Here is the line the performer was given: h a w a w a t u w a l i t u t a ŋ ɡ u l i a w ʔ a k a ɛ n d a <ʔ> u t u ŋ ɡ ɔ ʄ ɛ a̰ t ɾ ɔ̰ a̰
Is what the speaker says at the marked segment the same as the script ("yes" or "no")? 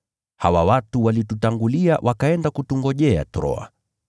no